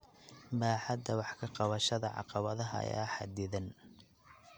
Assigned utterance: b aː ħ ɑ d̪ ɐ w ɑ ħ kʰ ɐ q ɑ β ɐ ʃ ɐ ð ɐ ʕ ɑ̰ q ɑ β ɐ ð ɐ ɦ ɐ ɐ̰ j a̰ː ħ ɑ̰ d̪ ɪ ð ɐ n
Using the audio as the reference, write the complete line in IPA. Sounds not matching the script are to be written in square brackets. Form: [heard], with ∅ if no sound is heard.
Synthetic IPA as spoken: b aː ħ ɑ d̪ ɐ w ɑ ħ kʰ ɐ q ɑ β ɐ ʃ ɐ ð ɐ ʕ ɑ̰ q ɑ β ɐ ð ɐ ɦ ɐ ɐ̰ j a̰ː ħ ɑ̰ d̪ ɪ ð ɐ n